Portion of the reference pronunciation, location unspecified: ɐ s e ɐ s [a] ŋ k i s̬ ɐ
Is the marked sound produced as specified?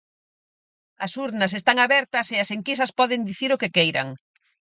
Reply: no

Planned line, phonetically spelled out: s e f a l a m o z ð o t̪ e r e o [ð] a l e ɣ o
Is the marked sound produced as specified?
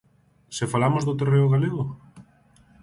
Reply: no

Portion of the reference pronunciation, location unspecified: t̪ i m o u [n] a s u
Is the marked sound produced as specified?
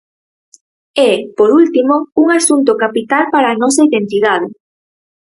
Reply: no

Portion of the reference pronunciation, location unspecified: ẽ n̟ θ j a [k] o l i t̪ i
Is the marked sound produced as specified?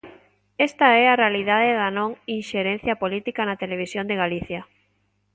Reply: no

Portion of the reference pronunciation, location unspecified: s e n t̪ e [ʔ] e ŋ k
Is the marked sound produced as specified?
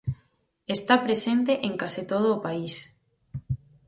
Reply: yes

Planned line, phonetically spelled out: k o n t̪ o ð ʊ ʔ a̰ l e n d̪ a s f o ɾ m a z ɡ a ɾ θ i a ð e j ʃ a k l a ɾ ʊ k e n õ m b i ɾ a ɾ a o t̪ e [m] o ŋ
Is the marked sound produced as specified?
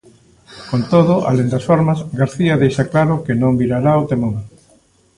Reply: yes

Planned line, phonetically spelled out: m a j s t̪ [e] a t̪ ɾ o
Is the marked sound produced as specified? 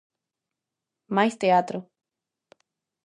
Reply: yes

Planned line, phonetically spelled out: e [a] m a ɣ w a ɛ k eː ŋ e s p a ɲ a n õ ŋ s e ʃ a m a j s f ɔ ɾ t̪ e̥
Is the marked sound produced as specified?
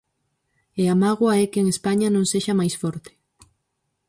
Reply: yes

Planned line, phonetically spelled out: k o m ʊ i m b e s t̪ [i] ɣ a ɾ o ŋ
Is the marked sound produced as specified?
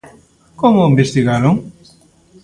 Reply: yes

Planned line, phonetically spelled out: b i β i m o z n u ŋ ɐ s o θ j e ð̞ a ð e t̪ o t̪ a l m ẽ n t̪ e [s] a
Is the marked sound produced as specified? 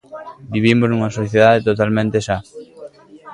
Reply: no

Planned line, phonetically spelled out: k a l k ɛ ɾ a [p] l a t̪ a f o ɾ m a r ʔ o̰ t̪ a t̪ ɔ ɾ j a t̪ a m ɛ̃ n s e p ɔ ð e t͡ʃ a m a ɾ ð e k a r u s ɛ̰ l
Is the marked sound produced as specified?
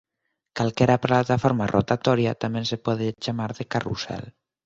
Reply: yes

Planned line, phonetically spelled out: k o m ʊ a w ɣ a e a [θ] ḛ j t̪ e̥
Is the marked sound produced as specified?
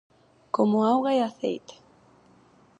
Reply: yes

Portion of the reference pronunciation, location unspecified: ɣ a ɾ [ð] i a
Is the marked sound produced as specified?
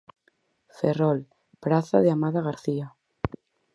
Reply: no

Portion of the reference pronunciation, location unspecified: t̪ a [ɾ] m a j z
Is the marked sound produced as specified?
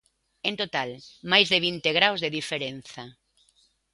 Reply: no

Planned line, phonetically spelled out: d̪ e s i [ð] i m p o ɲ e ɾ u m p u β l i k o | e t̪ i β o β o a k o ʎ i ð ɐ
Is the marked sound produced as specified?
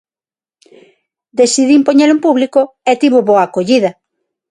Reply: yes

